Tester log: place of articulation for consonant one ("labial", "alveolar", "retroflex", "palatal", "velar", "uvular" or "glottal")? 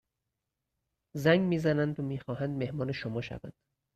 alveolar